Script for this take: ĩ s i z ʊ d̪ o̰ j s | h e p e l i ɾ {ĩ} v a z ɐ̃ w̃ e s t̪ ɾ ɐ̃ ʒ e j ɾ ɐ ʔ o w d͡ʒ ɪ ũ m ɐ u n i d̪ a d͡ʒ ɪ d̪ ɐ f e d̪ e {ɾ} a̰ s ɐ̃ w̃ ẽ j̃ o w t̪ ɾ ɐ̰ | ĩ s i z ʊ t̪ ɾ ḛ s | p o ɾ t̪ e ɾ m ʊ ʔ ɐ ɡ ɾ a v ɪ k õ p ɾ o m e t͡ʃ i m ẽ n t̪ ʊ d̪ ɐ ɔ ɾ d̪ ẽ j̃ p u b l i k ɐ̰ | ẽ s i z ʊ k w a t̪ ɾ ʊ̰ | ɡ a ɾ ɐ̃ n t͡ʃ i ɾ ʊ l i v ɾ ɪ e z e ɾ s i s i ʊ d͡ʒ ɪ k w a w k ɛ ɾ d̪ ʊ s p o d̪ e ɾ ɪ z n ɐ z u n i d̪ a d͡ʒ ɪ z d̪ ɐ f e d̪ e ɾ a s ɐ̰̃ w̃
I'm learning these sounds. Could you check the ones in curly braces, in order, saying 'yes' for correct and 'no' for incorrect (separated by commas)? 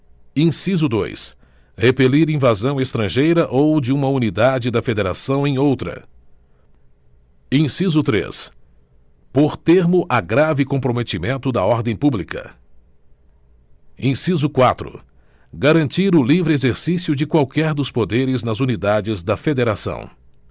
yes, yes